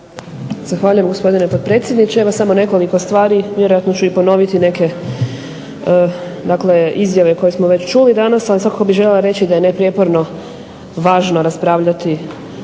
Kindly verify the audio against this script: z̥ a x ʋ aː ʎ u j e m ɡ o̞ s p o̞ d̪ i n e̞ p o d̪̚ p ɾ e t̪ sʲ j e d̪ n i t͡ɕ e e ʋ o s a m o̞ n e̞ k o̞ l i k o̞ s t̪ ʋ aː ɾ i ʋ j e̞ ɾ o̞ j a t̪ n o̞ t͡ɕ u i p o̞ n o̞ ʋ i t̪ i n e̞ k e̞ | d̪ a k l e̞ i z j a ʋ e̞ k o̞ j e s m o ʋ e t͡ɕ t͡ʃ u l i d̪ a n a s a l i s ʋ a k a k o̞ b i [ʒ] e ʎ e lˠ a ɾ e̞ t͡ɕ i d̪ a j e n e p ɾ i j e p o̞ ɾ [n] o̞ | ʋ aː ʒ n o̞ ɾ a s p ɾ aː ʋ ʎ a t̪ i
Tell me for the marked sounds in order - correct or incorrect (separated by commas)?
correct, correct